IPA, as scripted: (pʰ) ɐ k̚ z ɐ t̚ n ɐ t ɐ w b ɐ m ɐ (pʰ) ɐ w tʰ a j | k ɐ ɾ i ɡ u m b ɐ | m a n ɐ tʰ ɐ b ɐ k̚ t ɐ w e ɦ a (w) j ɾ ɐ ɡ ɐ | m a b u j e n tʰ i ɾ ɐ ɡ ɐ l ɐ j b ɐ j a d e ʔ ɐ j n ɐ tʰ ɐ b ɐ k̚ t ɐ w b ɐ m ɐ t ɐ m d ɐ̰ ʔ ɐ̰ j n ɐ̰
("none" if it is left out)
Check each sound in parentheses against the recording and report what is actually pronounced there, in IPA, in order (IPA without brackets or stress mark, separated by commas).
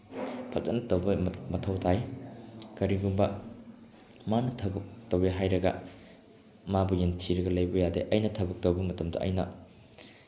pʰ, tʰ, none